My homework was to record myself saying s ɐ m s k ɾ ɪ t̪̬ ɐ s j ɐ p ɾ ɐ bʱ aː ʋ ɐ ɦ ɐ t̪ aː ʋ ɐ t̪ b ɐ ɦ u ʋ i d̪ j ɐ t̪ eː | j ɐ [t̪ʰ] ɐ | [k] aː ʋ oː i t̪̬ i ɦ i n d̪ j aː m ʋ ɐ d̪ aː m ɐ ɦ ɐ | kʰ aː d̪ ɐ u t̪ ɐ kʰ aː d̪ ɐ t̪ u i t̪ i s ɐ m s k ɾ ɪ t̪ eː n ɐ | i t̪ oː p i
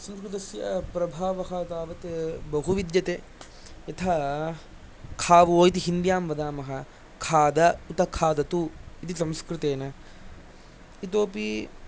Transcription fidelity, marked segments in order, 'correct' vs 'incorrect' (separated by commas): correct, incorrect